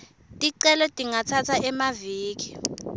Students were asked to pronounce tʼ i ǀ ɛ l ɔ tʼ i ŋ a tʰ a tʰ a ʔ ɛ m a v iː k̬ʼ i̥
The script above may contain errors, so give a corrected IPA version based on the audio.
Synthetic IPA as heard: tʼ i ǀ ɛ l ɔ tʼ i ŋ a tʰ a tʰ a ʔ ɛ m a v iː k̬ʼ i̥